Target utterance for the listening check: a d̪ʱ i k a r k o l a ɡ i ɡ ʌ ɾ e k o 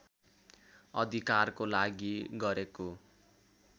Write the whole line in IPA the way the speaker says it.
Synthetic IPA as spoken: ʌ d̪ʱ i k a r k o l a ɡ i ɡ ʌ ɾ e k o